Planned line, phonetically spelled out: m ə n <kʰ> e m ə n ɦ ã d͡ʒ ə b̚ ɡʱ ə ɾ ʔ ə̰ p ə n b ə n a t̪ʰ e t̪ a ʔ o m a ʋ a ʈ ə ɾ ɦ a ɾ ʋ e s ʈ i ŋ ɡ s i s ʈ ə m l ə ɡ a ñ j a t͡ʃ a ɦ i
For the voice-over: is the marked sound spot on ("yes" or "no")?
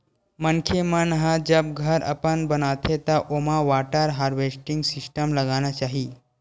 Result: yes